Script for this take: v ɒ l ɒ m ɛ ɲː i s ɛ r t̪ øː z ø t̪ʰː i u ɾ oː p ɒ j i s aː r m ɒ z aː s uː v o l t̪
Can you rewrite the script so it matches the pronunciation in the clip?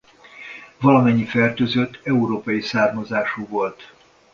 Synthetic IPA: v ɒ l ɒ m ɛ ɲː i f ɛ r t̪ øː z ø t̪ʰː ɛ u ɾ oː p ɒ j i s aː r m ɒ z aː ʃ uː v o l t̪